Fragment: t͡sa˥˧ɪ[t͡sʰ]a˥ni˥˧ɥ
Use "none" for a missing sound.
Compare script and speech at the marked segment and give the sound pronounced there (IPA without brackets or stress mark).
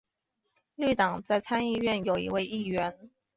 t͡sʰ